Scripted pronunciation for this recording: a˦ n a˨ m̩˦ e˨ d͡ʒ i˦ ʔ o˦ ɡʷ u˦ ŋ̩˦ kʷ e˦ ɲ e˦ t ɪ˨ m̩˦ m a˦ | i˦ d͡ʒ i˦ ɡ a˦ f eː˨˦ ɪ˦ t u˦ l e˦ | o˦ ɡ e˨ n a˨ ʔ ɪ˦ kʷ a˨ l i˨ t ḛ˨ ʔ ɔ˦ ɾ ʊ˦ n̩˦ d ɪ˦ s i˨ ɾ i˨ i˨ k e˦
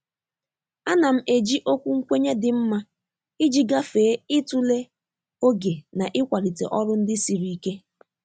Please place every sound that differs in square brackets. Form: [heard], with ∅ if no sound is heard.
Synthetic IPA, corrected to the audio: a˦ n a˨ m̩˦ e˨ d͡ʒ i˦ ʔ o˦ [kʷ] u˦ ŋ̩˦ kʷ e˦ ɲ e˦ [d] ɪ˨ m̩˦ m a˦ | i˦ d͡ʒ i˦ ɡ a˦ f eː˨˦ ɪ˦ t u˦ l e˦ | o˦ ɡ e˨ n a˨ ʔ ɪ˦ kʷ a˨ l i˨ t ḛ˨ ʔ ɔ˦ ɾ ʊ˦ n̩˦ d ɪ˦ s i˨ ɾ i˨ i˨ k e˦